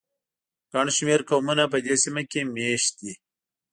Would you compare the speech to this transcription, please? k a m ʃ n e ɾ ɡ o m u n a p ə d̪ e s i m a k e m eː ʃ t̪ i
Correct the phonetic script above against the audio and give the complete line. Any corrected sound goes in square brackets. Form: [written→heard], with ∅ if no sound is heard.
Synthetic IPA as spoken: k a [m→ɳ] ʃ [n→m] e ɾ [ɡ→k] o m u n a p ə d̪ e s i m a k e m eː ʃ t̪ i